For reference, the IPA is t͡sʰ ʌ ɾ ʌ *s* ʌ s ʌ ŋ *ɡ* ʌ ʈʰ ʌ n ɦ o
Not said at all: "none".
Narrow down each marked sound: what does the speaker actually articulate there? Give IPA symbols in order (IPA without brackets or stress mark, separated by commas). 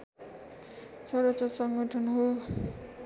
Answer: t͡s, ɡ